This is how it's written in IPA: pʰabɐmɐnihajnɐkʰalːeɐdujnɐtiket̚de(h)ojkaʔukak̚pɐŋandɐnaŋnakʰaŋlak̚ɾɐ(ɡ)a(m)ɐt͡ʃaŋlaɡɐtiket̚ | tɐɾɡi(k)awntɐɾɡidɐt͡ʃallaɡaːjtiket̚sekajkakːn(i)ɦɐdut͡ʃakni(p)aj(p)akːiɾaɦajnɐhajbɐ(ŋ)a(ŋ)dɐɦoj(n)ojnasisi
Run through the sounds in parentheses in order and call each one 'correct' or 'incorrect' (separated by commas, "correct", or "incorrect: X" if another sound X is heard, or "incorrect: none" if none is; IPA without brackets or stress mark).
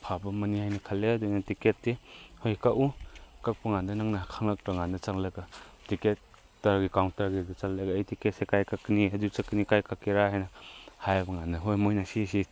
correct, incorrect: ŋ, incorrect: n, correct, correct, incorrect: k, incorrect: k, correct, incorrect: n, incorrect: m